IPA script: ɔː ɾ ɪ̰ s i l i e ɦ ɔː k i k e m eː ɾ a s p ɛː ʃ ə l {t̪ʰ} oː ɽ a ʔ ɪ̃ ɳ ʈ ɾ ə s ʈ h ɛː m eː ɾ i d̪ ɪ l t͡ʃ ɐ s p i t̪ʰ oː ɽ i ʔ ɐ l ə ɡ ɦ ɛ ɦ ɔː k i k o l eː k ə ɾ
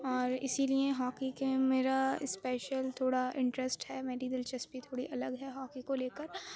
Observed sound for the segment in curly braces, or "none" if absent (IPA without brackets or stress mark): t̪ʰ